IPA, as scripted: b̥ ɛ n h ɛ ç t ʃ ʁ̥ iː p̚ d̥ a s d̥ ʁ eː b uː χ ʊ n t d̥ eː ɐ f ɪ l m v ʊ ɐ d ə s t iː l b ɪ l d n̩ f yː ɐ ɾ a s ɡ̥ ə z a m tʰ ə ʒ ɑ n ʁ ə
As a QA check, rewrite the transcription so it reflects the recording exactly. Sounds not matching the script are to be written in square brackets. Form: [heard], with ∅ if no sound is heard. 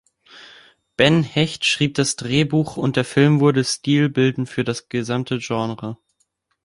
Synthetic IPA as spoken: b̥ ɛ n h ɛ ç t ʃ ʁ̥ iː p̚ d̥ a s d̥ ʁ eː b uː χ ʊ n t d̥ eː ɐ f ɪ l m v ʊ ɐ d ə s t iː l b ɪ l d n̩ f yː ɐ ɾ a s ɡ̥ ə z a m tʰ ə ʒ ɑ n ʁ ə